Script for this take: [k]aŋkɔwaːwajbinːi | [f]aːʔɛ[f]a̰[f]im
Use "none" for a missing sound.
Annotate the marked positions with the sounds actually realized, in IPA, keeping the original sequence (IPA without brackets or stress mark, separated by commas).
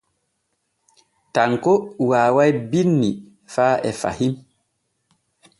t, f, f, h